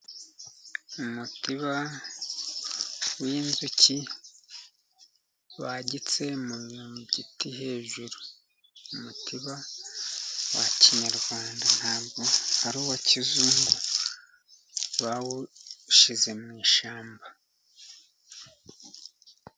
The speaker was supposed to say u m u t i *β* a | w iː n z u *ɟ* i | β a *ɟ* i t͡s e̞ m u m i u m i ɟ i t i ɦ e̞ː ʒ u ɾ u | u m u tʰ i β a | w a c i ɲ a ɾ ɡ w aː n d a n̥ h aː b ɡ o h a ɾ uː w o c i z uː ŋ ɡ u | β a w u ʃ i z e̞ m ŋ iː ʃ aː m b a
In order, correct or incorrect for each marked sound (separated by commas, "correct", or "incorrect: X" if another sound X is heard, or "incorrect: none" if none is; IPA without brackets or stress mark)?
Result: correct, incorrect: c, correct